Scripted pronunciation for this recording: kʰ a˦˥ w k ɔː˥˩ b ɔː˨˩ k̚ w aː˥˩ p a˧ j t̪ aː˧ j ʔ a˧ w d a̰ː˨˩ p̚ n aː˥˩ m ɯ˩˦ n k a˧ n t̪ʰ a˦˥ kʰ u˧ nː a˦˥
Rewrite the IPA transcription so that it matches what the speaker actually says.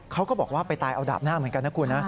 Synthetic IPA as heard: kʰ a˦˥ w k ɔː˥˩ b ɔː˨˩ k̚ w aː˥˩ p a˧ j t̪ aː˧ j ʔ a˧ w d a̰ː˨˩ p̚ n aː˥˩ m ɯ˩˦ n k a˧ n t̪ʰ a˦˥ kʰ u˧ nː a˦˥